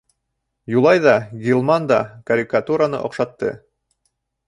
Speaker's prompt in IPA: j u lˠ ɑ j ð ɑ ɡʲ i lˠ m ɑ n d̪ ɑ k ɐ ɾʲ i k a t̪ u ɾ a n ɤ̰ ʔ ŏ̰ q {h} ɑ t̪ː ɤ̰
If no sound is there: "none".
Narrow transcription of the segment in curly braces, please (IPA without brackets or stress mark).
ʃ